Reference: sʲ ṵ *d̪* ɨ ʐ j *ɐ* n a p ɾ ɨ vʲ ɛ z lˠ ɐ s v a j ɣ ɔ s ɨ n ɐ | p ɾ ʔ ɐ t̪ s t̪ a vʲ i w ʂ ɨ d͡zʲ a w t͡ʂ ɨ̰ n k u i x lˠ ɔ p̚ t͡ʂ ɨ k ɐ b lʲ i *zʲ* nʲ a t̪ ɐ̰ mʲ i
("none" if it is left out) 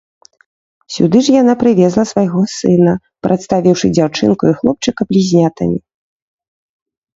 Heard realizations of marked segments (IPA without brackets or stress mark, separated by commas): d̪, a, zʲ